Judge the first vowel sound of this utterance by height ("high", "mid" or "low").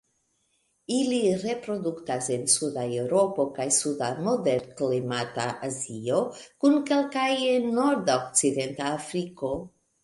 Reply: high